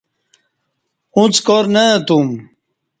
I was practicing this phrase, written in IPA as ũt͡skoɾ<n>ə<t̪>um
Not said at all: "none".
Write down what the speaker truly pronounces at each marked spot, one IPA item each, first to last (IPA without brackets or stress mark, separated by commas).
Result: n, t̪